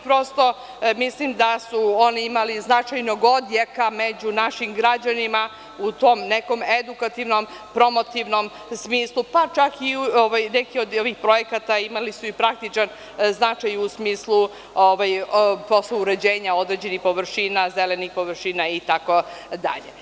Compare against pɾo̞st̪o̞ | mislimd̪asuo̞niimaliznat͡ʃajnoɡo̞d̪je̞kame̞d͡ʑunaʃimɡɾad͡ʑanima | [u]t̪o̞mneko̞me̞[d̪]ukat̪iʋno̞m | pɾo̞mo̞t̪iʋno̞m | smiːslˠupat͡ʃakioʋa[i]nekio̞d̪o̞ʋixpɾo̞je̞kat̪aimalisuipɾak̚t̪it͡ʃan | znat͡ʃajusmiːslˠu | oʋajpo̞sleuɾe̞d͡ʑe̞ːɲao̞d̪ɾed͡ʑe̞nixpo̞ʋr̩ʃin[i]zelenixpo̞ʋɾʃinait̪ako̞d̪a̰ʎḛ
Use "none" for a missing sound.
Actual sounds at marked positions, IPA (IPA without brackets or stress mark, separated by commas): u, d̪, j, a